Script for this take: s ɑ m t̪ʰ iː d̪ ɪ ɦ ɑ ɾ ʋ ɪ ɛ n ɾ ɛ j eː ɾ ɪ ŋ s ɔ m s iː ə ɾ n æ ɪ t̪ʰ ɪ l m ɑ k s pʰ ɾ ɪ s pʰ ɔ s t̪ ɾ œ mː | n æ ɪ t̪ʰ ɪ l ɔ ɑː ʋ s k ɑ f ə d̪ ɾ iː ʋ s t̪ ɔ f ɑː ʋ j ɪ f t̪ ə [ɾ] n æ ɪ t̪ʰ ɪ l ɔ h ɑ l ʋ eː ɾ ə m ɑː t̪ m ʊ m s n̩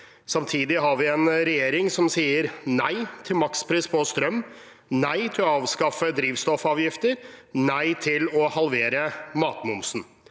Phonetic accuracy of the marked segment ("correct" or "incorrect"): correct